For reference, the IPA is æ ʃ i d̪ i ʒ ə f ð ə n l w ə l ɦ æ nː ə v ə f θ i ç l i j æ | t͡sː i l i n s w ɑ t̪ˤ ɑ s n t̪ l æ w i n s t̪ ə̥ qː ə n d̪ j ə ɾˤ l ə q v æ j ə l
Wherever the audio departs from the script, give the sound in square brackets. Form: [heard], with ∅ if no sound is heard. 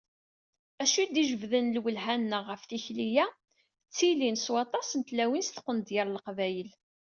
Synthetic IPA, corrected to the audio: æ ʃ i d̪ i ʒ ə [v] ð ə n l w ə l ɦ æ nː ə [ʁ] ə f θ i ç l i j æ | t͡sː i l i n s w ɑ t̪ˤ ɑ s n t̪ l æ w i n s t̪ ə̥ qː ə n d̪ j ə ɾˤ l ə q v æ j ə l